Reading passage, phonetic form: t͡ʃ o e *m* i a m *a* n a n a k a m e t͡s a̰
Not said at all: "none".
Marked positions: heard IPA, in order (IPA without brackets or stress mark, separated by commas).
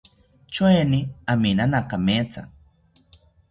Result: n, i